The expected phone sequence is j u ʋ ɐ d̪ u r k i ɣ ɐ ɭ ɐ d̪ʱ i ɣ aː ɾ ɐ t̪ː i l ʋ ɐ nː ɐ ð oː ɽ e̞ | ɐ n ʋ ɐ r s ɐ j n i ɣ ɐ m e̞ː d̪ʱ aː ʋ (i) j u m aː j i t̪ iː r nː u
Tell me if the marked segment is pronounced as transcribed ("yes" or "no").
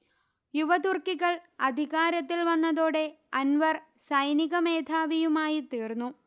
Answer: yes